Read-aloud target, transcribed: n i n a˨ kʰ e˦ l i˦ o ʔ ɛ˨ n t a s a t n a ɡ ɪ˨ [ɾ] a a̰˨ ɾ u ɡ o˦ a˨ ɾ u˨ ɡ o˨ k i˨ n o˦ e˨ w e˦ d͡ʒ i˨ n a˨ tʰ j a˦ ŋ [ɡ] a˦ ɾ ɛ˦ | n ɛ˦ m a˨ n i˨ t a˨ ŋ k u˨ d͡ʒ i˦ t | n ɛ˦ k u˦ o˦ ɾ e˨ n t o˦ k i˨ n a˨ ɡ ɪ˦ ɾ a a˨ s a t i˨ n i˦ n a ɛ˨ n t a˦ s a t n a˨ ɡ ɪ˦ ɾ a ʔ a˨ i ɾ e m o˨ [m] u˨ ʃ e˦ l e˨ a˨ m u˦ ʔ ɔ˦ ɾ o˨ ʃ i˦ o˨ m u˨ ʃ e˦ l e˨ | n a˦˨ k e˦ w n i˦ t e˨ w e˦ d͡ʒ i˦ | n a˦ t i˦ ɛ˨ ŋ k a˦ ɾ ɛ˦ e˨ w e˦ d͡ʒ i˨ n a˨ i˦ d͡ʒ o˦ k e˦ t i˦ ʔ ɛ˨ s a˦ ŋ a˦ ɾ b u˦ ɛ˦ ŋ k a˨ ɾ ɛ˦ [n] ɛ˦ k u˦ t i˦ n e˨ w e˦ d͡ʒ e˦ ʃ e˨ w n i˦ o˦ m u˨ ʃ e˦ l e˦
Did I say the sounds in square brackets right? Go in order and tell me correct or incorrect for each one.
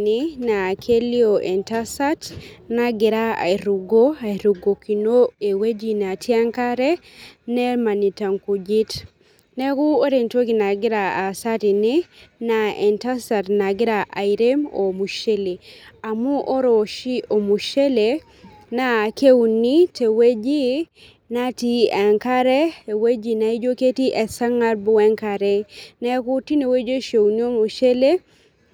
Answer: correct, incorrect: k, correct, correct

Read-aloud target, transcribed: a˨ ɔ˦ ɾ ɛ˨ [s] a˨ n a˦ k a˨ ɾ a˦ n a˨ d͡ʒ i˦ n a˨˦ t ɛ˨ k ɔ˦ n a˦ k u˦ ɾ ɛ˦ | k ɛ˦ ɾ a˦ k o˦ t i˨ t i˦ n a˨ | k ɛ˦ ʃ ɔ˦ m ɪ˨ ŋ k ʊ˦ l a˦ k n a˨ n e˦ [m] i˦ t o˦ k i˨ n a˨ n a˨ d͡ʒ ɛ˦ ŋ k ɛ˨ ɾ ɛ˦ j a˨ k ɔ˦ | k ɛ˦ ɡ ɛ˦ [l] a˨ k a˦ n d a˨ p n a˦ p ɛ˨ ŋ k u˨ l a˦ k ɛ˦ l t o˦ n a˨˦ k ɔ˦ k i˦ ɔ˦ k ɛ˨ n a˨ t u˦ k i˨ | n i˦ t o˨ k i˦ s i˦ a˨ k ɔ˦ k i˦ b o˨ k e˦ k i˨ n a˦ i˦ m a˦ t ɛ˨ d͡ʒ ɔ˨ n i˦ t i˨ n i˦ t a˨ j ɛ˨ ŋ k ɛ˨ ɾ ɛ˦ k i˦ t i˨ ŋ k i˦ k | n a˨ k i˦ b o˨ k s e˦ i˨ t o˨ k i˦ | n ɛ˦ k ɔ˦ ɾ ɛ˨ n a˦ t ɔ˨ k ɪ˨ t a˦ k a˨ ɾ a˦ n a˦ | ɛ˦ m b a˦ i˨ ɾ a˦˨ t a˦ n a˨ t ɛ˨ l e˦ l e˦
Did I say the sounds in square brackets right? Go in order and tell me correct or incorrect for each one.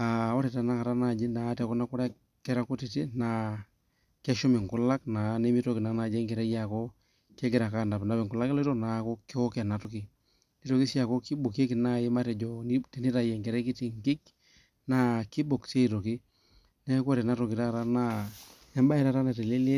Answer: incorrect: t, correct, incorrect: ɾ

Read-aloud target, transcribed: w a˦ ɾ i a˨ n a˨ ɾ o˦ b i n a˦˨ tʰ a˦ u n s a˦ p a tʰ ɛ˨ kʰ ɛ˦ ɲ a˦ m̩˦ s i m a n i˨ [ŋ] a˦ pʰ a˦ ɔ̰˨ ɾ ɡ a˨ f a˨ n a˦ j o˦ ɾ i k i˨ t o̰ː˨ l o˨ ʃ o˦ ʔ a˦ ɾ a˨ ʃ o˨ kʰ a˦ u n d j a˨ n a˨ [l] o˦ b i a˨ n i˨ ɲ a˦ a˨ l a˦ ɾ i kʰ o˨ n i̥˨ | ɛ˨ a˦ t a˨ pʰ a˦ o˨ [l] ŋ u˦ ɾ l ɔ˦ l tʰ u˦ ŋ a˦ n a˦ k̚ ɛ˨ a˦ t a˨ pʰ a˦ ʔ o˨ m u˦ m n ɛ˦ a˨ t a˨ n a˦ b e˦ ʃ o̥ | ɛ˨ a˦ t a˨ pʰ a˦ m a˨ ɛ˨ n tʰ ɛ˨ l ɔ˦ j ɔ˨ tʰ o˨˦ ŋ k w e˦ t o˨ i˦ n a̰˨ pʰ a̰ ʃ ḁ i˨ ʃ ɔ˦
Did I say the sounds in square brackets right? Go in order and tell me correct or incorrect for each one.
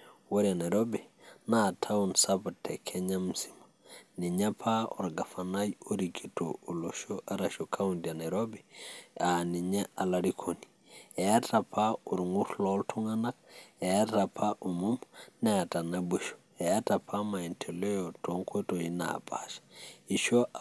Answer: incorrect: ɲ, incorrect: ɾ, incorrect: ɾ

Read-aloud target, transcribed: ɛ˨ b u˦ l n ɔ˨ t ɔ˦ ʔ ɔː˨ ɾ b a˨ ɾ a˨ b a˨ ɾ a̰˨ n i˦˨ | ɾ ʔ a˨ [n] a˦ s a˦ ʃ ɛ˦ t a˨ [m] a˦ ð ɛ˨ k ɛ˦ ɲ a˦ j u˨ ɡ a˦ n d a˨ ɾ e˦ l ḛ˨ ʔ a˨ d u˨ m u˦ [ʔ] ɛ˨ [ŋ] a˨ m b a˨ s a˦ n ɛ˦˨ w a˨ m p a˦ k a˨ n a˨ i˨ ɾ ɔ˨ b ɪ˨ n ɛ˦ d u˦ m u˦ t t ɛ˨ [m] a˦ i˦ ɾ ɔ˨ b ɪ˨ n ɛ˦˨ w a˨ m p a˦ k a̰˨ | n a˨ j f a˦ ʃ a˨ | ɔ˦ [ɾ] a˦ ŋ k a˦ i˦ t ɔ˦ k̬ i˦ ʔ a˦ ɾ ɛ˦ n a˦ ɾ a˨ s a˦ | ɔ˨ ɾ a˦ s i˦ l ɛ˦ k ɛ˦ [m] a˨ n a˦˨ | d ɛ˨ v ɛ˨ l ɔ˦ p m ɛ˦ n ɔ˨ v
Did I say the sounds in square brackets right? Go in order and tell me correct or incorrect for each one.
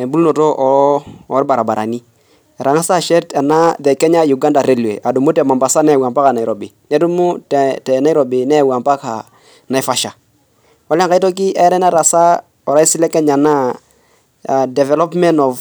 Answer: incorrect: ŋ, incorrect: n, incorrect: t, incorrect: m, incorrect: n, incorrect: l, incorrect: ɲ

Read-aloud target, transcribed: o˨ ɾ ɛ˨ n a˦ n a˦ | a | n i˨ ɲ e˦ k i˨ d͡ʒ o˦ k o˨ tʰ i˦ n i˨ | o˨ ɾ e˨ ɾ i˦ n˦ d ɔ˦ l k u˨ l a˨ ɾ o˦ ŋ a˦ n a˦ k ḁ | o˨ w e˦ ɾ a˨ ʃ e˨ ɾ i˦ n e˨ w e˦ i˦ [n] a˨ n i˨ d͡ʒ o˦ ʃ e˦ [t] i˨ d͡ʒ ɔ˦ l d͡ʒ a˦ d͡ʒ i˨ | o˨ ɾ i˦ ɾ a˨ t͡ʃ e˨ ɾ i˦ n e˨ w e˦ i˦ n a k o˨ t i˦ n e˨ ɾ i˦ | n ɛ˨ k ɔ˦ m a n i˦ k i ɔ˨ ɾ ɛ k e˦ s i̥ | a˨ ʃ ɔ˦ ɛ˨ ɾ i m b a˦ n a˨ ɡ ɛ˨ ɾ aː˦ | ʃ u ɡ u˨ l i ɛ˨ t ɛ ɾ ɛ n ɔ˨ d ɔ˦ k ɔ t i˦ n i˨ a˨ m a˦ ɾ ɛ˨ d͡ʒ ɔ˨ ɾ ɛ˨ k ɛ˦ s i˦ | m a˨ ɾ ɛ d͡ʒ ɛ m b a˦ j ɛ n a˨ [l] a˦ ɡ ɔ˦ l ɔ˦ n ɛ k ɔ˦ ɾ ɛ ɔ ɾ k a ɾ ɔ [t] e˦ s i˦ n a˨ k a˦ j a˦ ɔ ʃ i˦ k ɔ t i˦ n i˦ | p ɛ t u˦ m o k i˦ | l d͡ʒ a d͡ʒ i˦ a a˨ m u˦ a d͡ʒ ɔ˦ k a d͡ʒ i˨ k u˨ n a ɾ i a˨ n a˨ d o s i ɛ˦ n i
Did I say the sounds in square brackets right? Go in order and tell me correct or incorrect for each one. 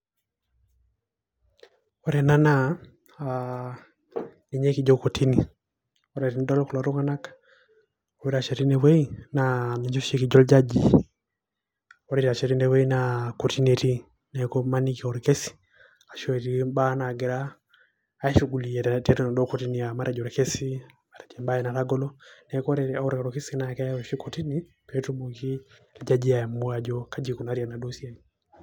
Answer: correct, incorrect: k, incorrect: ɾ, incorrect: k

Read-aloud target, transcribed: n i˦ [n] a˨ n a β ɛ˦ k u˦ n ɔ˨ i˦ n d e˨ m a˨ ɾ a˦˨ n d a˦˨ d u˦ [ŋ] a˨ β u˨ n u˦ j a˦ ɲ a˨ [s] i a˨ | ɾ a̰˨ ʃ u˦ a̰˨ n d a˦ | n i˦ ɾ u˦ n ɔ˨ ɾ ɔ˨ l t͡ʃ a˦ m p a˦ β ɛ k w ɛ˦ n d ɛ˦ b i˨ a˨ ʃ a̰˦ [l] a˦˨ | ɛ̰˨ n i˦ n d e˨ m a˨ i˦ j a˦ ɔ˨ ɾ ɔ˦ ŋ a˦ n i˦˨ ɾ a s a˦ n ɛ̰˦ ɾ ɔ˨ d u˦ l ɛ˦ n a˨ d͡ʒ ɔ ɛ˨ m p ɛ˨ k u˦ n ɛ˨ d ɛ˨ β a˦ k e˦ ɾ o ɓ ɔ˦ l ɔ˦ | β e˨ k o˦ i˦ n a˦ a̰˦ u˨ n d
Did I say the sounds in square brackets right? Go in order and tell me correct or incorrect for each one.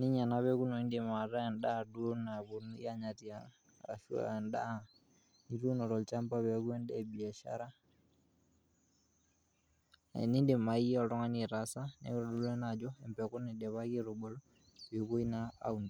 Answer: incorrect: ɲ, incorrect: n, incorrect: t, incorrect: ɾ

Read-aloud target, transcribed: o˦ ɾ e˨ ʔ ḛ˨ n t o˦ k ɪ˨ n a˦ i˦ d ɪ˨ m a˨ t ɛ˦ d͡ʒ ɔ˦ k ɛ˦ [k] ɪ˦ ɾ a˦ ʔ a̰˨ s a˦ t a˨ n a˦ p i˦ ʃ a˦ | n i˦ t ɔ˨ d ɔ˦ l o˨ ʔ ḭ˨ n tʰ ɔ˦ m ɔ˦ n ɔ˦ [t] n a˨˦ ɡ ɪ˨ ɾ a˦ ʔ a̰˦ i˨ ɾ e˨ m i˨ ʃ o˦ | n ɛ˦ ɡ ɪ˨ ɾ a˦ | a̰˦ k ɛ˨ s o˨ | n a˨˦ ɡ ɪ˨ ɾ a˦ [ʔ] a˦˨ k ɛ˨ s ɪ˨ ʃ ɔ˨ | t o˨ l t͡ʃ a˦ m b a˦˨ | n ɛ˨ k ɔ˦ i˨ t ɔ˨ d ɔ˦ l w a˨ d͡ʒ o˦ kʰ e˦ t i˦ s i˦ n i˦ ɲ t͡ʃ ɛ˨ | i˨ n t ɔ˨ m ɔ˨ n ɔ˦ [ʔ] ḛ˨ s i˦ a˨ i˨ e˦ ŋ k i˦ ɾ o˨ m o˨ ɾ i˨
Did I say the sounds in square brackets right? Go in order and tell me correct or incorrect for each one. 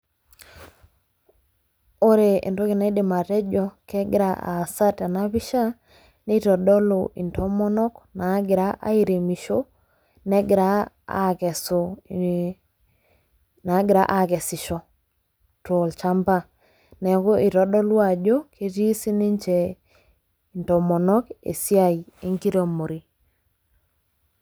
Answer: incorrect: ɡ, incorrect: k, correct, incorrect: k

